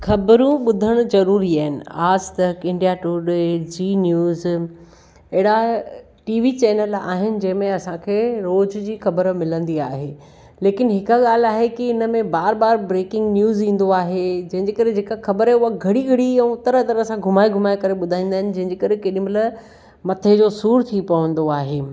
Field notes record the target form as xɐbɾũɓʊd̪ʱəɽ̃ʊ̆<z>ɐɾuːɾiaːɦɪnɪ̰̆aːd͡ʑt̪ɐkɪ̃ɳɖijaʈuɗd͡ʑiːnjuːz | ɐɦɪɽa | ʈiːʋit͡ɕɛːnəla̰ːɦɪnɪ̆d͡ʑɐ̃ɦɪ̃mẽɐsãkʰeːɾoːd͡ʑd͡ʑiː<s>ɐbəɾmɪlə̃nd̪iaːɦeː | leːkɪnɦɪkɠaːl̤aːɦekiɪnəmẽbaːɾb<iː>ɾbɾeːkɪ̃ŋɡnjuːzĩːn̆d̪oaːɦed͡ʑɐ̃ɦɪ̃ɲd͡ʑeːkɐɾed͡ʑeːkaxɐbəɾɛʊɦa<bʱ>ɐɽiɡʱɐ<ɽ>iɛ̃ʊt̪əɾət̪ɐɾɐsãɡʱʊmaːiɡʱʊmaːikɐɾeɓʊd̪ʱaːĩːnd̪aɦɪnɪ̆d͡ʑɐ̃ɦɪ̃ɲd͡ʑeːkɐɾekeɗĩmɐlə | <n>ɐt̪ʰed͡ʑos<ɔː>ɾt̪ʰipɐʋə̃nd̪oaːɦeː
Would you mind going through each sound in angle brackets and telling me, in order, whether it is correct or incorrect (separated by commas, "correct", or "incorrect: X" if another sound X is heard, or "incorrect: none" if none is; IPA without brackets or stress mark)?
correct, incorrect: x, incorrect: aː, incorrect: ɡʱ, correct, incorrect: m, incorrect: uː